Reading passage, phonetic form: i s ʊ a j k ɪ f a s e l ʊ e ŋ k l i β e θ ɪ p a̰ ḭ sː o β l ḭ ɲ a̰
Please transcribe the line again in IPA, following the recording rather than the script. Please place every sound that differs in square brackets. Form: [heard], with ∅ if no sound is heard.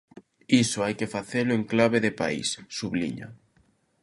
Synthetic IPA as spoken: i s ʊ a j k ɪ f a [θ] e l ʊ e ŋ k l [a] β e [ð] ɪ p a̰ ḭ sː [u] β l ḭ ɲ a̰